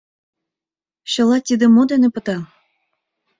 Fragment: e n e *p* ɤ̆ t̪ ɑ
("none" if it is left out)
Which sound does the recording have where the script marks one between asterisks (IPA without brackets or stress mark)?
p